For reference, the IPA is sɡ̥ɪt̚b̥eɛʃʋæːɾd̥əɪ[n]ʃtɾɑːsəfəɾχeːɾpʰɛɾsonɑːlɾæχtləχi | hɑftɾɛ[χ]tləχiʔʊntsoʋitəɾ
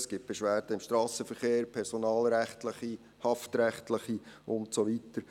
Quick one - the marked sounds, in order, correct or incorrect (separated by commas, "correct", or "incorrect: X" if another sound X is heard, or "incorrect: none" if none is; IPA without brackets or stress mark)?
incorrect: m, correct